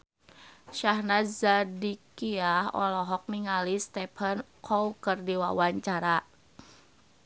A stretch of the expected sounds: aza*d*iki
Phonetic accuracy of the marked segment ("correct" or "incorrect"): correct